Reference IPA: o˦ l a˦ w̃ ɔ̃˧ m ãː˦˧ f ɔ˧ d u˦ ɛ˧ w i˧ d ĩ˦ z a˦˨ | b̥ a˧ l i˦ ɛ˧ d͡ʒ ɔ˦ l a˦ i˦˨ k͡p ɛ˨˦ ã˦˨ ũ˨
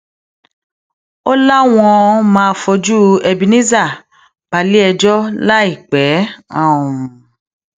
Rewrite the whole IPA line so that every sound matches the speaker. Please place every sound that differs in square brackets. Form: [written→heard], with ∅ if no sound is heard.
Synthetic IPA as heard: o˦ l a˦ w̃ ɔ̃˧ m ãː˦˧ f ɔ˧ [d→d͡ʒ] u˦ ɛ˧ [w→b] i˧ [d→n] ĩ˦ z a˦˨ | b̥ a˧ l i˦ ɛ˧ d͡ʒ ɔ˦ l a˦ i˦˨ k͡p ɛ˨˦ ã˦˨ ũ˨